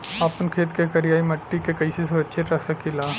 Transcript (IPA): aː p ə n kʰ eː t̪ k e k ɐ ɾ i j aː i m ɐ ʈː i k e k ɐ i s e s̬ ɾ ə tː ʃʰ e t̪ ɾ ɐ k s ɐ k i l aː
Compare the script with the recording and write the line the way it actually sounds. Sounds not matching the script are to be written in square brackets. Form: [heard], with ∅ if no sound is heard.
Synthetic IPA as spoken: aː p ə n kʰ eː t̪ k e k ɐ ɾ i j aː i m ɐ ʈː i k e k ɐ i s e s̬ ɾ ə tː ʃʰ e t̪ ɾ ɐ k s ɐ k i l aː

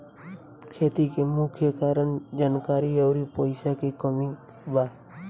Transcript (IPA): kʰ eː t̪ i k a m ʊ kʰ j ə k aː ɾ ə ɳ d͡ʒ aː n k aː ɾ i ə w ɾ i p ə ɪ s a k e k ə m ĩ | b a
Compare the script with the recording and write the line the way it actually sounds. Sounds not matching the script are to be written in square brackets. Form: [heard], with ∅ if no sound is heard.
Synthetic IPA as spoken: kʰ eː t̪ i k [e] m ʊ kʰ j ə k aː ɾ ə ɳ d͡ʒ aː n k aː ɾ i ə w ɾ i p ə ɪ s a k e k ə m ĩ | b a

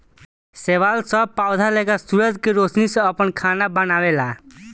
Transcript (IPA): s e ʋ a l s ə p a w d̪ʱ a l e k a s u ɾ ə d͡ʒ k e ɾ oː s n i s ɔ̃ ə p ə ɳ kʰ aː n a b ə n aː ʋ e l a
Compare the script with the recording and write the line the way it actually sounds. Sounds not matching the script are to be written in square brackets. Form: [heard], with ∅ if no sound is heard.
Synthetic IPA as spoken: s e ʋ a l s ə p a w d̪ʱ a l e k a s u ɾ ə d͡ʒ k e ɾ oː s n i s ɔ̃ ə p ə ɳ kʰ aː n a b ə n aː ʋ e l a

